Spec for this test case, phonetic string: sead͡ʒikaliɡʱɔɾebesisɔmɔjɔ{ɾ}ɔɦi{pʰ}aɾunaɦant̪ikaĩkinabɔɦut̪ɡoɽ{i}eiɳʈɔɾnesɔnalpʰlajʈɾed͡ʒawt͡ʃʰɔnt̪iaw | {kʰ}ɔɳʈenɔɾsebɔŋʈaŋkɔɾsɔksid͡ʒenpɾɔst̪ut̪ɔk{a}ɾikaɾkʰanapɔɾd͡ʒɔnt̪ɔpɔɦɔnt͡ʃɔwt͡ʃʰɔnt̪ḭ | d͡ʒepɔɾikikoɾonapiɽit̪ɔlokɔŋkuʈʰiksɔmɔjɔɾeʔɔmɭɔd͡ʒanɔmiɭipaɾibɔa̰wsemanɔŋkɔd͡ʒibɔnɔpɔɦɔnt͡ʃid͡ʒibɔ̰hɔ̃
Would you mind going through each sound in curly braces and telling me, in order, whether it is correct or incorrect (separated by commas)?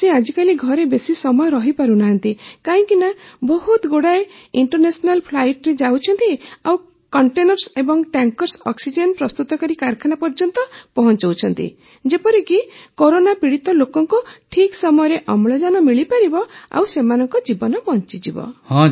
correct, incorrect, incorrect, incorrect, correct